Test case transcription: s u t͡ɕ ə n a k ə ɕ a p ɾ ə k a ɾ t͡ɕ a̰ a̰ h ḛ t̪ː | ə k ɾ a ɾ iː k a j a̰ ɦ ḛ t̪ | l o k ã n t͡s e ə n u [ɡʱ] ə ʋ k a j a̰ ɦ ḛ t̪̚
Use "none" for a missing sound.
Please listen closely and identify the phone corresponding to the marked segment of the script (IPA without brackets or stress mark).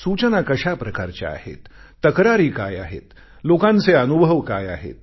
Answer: bʱ